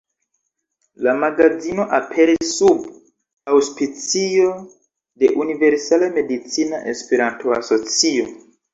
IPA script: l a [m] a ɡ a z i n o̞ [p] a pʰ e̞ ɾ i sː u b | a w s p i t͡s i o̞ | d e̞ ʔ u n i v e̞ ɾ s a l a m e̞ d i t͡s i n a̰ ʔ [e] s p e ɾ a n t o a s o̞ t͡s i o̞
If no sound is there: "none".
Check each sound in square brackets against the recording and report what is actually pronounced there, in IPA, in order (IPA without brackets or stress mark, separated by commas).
m, ʔ, e